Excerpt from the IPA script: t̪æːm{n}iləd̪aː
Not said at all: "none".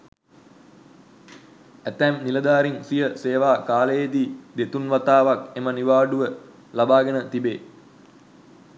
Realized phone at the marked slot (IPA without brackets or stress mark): n